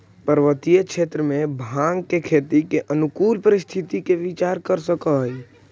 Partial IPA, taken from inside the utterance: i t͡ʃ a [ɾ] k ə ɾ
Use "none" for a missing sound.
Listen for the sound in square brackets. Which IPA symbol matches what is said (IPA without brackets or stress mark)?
ɾ